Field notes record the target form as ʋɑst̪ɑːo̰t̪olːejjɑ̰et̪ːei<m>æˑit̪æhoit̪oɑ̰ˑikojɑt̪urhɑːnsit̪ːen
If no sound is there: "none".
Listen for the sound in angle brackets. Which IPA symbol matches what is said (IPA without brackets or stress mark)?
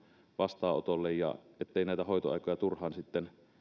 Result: n